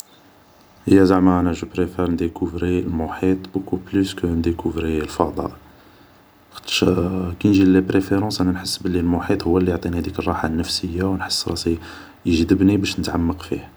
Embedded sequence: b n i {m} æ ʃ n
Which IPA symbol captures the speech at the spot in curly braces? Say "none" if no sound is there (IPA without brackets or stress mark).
b